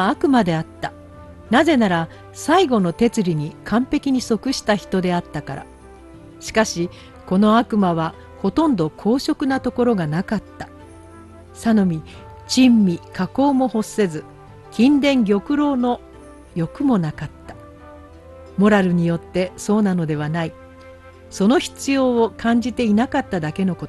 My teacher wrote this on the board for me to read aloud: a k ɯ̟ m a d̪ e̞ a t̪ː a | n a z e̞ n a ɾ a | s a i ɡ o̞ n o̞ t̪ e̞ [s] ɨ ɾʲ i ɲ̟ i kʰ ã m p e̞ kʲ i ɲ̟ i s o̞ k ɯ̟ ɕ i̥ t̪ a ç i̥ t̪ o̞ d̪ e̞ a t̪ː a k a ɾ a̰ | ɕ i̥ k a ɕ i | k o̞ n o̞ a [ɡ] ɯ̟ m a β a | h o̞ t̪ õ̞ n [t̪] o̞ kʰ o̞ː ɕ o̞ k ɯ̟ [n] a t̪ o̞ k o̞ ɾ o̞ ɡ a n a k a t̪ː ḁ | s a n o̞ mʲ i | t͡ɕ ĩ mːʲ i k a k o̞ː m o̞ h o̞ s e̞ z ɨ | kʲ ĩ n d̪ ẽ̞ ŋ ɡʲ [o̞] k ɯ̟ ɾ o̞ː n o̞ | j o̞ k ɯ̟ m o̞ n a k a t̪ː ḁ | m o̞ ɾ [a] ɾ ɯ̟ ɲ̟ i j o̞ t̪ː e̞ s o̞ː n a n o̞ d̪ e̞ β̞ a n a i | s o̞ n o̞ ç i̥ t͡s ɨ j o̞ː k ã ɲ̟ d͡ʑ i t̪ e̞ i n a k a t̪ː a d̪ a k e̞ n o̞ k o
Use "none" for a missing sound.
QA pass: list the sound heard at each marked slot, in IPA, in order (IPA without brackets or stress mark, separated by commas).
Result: t͡s, k, d̪, n, o̞, a